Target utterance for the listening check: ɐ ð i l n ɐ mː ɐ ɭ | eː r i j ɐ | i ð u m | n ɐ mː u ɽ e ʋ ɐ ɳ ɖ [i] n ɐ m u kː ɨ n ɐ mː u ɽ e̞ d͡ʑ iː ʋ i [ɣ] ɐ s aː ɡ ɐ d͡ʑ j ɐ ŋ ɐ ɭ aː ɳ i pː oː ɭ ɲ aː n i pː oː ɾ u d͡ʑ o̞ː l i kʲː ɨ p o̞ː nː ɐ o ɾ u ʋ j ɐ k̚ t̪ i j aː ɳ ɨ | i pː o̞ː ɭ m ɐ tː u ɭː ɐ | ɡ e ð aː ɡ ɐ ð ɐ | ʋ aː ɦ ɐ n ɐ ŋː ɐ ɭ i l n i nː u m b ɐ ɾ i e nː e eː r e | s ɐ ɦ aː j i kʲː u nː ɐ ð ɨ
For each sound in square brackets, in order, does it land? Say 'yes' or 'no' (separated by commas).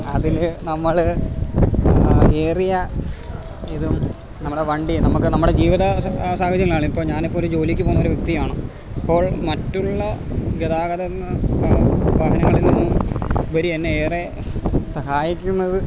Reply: yes, no